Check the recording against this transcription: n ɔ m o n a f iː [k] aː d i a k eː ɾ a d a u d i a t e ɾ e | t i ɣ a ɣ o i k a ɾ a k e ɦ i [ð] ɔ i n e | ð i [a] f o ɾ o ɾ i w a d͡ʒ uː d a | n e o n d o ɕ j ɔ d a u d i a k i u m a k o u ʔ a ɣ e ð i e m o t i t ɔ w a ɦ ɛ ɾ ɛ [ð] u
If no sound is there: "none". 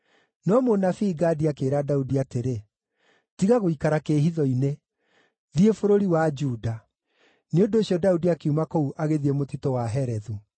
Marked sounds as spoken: ɡ, ð, e, ð

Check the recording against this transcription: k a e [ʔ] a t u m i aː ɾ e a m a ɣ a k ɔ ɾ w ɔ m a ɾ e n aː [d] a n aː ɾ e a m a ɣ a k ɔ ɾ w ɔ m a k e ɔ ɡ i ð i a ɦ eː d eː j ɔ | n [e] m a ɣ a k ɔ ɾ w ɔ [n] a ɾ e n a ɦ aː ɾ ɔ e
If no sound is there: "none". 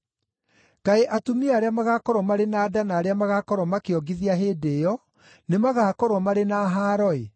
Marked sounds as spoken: ʔ, d, e, m

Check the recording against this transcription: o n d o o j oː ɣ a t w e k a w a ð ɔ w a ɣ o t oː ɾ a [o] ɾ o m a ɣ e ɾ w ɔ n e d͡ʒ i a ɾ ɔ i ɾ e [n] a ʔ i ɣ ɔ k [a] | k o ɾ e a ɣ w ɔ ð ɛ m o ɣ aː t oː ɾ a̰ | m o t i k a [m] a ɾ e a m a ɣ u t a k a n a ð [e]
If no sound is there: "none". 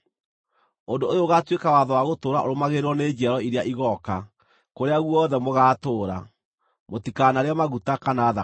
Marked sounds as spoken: o, none, a, n, a

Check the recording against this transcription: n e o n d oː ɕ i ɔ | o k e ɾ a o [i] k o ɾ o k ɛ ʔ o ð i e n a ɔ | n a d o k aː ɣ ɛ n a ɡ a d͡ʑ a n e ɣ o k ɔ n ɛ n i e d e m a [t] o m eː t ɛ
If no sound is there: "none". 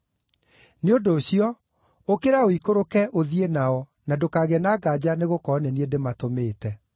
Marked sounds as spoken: i, t

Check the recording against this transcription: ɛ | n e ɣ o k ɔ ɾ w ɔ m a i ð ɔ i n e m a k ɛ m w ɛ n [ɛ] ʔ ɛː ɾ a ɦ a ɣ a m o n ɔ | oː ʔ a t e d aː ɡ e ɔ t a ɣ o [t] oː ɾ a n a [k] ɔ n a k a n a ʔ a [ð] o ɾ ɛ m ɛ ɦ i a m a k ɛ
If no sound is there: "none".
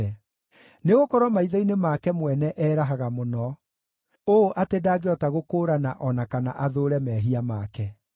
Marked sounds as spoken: ɛ, k, ʔ, ð

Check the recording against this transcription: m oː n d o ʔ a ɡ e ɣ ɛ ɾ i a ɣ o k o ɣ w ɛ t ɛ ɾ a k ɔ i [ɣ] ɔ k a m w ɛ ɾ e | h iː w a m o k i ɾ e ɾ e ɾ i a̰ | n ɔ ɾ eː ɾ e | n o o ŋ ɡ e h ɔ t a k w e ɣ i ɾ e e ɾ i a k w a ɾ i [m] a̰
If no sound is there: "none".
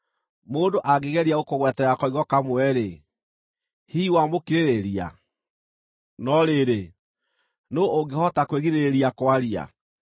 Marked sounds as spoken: ɣ, none

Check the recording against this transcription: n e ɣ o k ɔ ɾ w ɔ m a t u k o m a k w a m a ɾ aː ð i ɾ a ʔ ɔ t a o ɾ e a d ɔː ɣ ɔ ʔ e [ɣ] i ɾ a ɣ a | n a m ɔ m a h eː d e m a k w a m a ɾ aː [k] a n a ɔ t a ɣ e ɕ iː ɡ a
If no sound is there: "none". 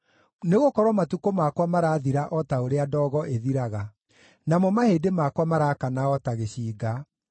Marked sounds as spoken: ð, k

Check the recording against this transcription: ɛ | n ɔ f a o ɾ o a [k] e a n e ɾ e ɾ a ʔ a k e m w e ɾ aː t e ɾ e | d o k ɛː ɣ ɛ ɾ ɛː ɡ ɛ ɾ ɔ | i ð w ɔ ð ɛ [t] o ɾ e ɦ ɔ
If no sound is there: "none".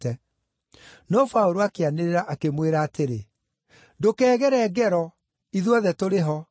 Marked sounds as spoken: k, t

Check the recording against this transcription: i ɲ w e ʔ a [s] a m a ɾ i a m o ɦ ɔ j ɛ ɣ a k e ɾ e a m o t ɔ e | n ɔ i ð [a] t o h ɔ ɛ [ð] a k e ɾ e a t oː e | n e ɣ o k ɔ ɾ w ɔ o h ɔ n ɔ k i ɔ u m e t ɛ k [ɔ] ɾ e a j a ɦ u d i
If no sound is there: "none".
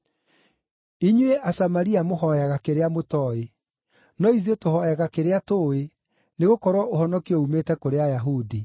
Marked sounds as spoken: s, e, ɣ, o

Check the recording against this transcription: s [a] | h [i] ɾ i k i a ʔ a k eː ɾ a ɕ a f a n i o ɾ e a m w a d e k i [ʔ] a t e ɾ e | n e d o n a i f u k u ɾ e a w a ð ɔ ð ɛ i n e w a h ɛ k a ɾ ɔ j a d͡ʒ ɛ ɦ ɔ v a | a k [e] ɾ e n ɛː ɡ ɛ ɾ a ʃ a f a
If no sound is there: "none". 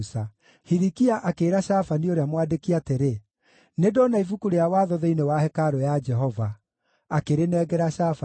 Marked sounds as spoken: a, i, none, e

